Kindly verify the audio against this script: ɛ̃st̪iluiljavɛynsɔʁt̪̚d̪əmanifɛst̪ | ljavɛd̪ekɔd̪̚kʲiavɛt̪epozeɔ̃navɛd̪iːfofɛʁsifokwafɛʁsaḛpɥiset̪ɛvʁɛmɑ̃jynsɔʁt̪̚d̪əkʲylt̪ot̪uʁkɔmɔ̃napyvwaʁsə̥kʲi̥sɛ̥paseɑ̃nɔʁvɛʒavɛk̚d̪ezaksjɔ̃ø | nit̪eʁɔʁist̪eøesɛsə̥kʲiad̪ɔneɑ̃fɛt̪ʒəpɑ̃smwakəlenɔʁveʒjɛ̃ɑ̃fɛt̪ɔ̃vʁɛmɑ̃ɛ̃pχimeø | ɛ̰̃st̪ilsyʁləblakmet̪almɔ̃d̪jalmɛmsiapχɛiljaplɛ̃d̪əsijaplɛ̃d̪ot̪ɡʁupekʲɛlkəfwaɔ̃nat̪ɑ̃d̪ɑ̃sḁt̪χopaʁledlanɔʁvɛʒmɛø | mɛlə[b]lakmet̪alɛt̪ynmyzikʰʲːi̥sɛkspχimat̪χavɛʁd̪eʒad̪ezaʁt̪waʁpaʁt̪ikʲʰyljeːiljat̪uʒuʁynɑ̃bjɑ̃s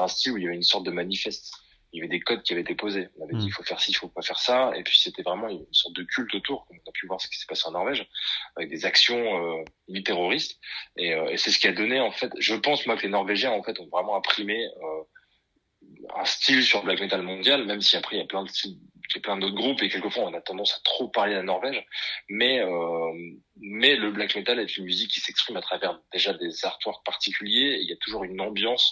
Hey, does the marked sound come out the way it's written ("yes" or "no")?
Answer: yes